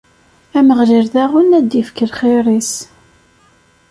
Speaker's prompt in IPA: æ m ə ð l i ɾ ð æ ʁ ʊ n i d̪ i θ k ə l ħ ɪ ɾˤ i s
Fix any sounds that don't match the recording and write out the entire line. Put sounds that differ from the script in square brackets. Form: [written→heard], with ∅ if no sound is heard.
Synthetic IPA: æ m ə [ð→ʁ] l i ɾ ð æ ʁ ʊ n [i→æ] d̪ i [θ→f] k ə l [ħ→χ] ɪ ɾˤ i s

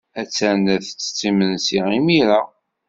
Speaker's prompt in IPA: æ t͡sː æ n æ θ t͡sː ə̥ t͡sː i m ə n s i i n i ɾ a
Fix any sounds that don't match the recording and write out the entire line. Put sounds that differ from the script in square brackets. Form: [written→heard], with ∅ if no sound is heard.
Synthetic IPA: æ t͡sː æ n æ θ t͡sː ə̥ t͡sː i m ə n s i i [n→m] i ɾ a

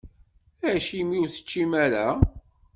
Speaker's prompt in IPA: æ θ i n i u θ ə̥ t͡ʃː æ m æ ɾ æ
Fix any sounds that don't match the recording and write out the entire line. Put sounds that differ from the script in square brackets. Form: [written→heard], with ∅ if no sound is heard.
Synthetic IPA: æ [θ→ʃ] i [n→m] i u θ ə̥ t͡ʃː [æ→i] m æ ɾ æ

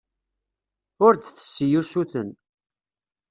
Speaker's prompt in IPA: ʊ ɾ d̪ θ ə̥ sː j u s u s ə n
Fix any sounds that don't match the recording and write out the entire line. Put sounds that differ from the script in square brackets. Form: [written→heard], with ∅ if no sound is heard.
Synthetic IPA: ʊ ɾ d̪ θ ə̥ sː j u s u [s→θ] ə n

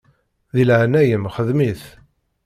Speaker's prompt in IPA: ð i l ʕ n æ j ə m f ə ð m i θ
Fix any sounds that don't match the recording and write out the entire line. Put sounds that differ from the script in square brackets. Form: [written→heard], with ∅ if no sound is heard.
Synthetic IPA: ð i l ʕ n æ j ə m [f→χ] ə ð m i θ

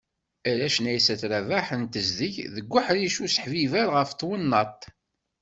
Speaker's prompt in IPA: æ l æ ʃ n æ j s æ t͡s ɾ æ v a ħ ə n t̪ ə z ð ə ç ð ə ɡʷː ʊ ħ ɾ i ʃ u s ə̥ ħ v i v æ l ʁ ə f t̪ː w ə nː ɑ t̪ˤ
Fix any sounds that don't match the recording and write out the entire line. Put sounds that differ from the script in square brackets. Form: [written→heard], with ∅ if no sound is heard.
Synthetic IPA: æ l æ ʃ n æ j s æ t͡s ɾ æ v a ħ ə n t̪ ə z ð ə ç ð ə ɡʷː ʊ ħ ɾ i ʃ u s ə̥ ħ v i v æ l ʁ ə f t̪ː w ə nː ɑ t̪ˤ

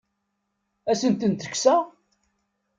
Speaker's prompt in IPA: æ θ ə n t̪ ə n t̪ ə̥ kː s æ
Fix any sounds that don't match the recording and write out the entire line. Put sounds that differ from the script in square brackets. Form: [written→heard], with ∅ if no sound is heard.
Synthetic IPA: æ [θ→s] ə n t̪ ə n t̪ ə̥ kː s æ

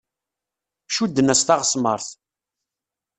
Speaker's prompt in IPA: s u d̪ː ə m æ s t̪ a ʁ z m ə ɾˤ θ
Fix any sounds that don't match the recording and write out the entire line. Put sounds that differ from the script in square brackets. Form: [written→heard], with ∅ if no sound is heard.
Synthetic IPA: [s→ʃ] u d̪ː ə [m→n] æ s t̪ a ʁ [z→s] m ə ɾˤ θ

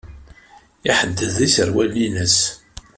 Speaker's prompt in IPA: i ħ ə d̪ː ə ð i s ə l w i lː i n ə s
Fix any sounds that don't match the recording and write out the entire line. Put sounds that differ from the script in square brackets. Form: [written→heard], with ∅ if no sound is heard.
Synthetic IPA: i ħ ə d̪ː ə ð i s ə [l→ɾ] w [i→æ] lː i n ə s

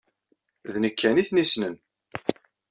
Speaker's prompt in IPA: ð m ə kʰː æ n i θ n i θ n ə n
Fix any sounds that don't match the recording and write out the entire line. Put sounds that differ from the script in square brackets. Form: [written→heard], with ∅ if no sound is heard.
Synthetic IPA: ð [m→n] ə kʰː æ n i θ n i [θ→s] n ə n

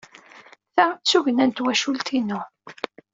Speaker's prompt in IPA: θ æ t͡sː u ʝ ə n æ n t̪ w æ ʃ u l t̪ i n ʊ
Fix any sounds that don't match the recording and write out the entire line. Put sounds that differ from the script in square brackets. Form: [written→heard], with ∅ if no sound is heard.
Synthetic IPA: θ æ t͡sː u ʝ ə n æ n t̪ w æ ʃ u l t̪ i n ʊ

